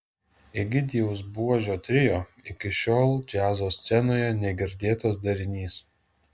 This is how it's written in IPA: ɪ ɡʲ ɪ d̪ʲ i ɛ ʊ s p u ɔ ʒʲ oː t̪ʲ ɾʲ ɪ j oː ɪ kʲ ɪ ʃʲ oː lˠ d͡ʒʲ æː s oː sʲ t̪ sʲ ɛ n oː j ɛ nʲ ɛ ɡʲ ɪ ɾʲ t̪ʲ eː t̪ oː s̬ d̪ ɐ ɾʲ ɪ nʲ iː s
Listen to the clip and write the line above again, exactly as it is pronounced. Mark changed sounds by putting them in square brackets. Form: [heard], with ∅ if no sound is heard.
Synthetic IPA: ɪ ɡʲ ɪ d̪ʲ i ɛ ʊ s [b] u ɔ ʒʲ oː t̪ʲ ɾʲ ɪ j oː ɪ kʲ ɪ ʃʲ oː lˠ d͡ʒʲ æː [z] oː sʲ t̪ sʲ ɛ n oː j ɛ nʲ ɛ ɡʲ ɪ ɾʲ [d̪ʲ] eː t̪ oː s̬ d̪ ɐ ɾʲ ɪ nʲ iː s